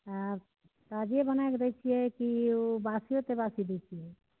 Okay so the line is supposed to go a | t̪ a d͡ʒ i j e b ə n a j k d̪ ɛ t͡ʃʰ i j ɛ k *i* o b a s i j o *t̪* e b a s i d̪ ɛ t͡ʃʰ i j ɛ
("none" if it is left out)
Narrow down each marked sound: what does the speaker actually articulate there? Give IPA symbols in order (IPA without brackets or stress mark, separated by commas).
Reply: i, t̪